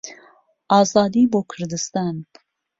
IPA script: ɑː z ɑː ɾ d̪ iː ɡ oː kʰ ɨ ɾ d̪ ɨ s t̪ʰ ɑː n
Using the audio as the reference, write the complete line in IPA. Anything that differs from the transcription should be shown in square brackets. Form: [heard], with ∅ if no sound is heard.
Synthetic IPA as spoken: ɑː z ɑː [∅] d̪ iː [b] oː kʰ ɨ ɾ d̪ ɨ s [t̪] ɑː n